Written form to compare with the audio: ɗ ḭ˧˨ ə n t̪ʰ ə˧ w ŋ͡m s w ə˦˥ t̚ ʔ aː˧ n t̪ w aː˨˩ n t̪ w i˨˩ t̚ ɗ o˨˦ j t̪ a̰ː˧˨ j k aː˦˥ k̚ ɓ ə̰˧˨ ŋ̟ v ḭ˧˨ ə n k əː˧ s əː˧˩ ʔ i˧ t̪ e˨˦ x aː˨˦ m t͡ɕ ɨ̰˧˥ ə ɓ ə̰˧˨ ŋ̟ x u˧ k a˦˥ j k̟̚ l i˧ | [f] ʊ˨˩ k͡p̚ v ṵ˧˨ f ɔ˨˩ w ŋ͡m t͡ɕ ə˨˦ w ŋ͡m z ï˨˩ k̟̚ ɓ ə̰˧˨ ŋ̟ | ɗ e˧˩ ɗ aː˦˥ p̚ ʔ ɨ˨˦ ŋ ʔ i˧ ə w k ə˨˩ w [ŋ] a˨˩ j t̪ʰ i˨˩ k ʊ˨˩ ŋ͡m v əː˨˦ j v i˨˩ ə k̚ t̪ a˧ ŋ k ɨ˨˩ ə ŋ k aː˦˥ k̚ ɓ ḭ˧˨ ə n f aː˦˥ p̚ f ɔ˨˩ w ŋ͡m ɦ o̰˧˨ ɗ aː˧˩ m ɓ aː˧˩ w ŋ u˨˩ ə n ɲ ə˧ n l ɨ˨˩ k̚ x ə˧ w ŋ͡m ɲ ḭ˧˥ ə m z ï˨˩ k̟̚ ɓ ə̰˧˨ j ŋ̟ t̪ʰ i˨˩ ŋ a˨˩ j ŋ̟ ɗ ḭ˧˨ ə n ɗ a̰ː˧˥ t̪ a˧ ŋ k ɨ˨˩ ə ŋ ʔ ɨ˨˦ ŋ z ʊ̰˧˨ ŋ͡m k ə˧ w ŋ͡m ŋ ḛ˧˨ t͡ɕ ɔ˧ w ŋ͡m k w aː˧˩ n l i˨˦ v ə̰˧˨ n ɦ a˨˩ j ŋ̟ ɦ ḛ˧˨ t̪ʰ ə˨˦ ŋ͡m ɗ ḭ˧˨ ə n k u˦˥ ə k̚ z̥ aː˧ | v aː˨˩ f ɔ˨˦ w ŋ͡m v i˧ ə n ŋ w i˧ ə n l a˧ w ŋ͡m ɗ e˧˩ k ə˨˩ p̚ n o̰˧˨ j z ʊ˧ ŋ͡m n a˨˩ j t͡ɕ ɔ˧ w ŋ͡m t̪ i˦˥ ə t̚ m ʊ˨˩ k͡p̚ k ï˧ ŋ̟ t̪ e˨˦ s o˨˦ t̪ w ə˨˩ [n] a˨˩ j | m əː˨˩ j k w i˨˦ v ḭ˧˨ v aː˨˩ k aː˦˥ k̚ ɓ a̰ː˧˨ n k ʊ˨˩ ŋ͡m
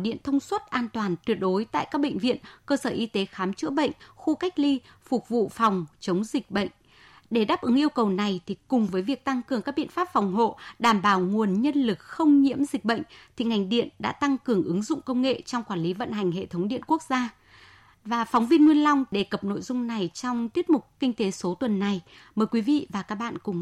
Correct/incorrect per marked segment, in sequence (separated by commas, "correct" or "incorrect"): correct, incorrect, incorrect